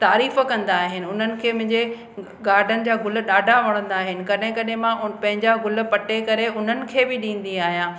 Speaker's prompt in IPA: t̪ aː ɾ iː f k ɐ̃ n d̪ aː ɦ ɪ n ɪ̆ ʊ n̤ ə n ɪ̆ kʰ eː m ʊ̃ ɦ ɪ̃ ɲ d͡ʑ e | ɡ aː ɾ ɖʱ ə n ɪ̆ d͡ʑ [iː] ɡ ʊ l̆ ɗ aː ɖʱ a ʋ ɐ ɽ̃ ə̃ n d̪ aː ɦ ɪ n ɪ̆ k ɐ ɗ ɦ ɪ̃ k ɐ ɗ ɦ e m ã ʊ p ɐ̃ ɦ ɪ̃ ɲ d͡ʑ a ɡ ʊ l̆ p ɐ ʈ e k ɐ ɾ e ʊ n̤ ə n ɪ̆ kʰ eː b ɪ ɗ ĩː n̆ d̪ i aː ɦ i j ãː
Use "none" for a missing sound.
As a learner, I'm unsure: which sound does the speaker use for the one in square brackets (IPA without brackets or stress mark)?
aː